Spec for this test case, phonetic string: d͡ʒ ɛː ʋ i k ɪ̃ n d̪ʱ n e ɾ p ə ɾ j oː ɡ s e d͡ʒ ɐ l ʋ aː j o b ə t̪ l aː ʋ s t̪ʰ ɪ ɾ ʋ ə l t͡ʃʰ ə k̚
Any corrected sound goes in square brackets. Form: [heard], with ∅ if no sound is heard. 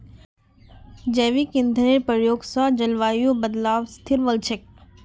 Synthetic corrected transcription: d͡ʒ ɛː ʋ i k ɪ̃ n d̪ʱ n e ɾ p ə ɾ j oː ɡ s [a] d͡ʒ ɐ l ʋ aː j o b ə [d̪] l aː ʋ s t̪ʰ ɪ ɾ ʋ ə l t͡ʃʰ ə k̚